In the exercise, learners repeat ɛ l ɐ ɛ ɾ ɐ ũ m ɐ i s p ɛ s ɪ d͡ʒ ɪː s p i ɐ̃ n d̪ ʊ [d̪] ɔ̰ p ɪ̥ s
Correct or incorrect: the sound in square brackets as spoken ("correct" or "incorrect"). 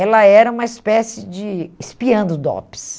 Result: correct